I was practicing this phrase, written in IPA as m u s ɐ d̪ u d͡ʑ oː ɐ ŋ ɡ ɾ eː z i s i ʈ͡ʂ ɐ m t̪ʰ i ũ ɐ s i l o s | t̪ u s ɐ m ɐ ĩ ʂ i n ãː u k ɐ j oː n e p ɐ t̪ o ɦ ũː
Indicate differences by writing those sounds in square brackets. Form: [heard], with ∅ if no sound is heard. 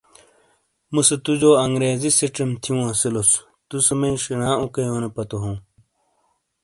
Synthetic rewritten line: m u s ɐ [t̪] u d͡ʑ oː ɐ ŋ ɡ ɾ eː z i s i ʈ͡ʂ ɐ m t̪ʰ i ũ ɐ s i l o s | t̪ u s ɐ m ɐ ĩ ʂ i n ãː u k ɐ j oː n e p ɐ t̪ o ɦ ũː